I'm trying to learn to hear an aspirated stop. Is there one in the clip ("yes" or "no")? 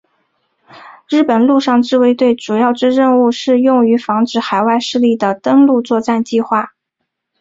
no